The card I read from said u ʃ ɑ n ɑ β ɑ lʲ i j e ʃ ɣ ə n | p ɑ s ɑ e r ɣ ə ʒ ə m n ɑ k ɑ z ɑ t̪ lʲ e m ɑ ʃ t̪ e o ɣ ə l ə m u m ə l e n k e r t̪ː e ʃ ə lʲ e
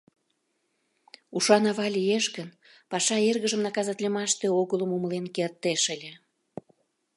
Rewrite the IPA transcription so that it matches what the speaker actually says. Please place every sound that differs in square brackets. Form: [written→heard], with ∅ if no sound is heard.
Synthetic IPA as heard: u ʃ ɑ n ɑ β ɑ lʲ i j e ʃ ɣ ə n | p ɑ [s→ʃ] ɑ e r ɣ ə ʒ ə m n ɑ k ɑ z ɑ t̪ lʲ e m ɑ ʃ t̪ e o ɣ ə l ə m u m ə l e n k e r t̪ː e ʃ ə lʲ e